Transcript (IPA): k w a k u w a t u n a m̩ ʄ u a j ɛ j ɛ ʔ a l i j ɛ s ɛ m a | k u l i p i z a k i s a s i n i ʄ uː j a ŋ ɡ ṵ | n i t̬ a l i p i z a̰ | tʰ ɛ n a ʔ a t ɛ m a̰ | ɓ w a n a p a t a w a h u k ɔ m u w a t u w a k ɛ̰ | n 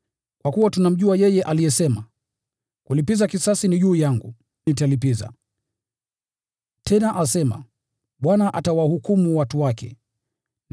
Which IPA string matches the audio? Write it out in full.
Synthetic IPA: k w a k u w a t u n a m̩ ʄ u a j ɛ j ɛ ʔ a l i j ɛ s ɛ m a | k u l i p i z a k i s a s i n i ʄ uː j a ŋ ɡ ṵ | n i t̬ a l i p i z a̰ | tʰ ɛ n a ʔ a s ɛ m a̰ | ɓ w a n a ʔ a t a w a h u k u m u w a t u w a k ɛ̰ | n